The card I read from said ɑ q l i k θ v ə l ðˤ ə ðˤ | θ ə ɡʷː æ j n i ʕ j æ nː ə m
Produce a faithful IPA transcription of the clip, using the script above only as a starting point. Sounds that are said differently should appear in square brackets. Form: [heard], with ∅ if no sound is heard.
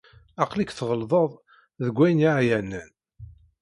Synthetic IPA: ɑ q l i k θ [ʁ] ə l ðˤ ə ðˤ | [ð] ə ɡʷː æ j n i ʕ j æ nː ə [n]